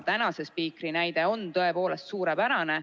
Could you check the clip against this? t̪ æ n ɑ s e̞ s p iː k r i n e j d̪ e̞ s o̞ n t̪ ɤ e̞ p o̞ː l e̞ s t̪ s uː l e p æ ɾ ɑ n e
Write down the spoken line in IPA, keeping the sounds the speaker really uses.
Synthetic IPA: t̪ æ n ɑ s e̞ s p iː k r i n æ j d̪ e̞ o̞ n t̪ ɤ e̞ p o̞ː l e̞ s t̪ s uː ɾ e p æ ɾ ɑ n e